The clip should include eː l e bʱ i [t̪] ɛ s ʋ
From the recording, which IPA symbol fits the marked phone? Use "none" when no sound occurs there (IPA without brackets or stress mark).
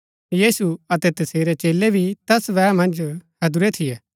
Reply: t̪